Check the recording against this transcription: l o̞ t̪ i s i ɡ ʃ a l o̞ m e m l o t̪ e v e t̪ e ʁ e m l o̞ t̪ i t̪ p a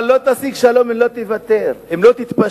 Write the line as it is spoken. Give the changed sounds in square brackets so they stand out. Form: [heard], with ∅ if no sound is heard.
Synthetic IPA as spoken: l o̞ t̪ [a] s i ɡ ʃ a l o̞ m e m l o t̪ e v [a] t̪ e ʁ e m l o̞ t̪ i t̪ p a